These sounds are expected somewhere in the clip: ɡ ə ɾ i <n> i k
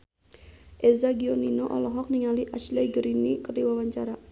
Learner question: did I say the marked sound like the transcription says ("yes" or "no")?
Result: yes